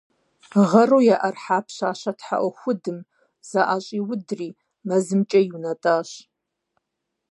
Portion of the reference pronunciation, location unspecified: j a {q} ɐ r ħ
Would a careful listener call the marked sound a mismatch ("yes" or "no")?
yes